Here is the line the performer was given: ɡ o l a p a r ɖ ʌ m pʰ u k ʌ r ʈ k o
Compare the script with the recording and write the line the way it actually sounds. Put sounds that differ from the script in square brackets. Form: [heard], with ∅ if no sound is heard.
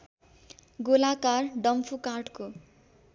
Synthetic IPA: ɡ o l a [k] a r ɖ ʌ m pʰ u k [a] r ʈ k o